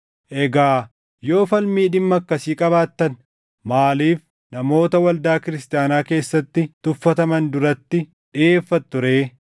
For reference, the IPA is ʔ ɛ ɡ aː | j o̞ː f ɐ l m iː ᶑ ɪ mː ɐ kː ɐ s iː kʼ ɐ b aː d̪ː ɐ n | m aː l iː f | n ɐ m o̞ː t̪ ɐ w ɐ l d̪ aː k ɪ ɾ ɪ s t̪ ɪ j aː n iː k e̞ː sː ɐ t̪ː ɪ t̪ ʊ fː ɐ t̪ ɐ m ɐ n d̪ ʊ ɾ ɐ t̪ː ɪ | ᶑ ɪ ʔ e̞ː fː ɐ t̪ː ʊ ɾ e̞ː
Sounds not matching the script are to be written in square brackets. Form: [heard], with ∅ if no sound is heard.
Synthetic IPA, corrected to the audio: ʔ ɛ ɡ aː | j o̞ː f ɐ l m iː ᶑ ɪ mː ɐ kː ɐ s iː kʼ ɐ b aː [t̪ː] ɐ n | m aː l iː f | n ɐ m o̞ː t̪ ɐ w ɐ l d̪ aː k ɪ ɾ ɪ s t̪ ɪ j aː n [aː] k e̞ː sː ɐ t̪ː ɪ t̪ ʊ fː ɐ t̪ ɐ m ɐ n d̪ ʊ ɾ ɐ t̪ː ɪ | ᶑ ɪ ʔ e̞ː fː ɐ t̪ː ʊ ɾ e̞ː